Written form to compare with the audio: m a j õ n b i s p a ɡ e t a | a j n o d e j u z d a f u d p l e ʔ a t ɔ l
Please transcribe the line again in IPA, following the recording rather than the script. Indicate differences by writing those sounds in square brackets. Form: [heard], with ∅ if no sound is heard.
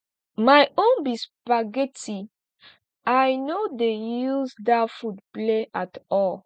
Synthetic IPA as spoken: m a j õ n b i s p a ɡ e t [i] | a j n o d e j u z d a f u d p l e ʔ a t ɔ l